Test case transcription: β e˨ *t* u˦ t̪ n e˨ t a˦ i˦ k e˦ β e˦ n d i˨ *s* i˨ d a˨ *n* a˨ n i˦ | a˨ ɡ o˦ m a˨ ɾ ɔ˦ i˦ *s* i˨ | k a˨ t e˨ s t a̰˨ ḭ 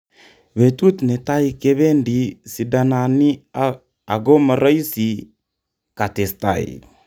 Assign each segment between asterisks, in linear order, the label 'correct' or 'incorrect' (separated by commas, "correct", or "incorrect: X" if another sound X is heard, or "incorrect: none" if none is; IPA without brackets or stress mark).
correct, correct, correct, correct